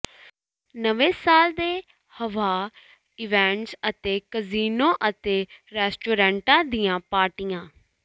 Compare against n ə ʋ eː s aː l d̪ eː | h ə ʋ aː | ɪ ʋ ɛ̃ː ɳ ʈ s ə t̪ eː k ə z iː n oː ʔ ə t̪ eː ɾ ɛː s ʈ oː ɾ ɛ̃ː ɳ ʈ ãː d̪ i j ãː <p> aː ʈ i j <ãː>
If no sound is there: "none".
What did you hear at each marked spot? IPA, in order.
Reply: p, ãː

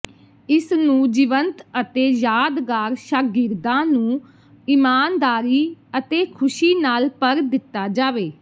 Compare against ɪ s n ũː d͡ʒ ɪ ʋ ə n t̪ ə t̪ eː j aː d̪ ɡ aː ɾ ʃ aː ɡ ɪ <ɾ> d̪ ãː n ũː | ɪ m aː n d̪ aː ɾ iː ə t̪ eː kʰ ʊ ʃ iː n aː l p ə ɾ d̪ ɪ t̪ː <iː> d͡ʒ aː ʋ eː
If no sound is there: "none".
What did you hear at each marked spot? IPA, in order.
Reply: ɾ, aː

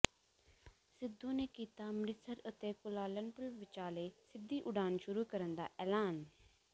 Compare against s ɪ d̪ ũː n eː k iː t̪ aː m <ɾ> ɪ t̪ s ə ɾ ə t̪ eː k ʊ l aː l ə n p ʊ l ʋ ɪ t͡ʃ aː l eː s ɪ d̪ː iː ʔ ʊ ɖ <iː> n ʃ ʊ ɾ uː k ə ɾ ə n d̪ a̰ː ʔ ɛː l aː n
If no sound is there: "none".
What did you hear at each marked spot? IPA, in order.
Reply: ɾ, aː

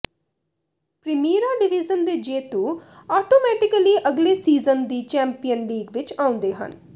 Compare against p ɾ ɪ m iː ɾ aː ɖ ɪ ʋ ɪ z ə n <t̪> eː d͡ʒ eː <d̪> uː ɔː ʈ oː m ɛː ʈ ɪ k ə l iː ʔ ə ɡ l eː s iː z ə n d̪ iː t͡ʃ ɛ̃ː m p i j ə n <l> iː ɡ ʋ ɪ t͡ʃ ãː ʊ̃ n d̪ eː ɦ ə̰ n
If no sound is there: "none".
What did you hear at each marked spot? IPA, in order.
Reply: d̪, t̪, l

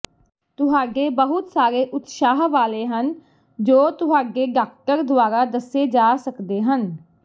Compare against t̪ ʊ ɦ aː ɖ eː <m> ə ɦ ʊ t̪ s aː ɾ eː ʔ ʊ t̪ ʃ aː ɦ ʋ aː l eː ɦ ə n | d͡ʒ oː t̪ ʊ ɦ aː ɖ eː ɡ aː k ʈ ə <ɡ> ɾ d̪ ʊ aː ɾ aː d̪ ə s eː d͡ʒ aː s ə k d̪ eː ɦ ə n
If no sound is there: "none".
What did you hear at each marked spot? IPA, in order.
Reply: b, none

